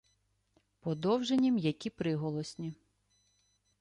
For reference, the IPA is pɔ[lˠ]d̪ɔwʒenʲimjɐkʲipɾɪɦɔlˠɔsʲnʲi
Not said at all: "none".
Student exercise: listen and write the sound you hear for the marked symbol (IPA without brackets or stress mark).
none